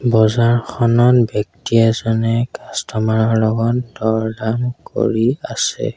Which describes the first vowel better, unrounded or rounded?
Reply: rounded